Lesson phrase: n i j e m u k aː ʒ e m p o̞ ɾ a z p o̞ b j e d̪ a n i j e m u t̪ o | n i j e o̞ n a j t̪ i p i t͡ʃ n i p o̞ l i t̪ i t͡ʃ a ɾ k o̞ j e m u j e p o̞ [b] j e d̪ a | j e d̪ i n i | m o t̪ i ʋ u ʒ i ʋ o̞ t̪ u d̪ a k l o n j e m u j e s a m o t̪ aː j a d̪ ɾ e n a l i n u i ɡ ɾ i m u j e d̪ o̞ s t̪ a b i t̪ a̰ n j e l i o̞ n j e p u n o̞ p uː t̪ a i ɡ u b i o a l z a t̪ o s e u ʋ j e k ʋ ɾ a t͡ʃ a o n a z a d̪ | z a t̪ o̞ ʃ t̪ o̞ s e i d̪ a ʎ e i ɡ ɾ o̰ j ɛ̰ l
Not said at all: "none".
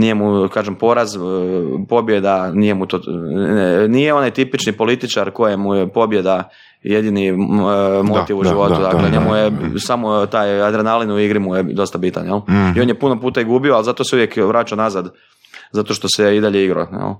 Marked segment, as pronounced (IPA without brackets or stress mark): b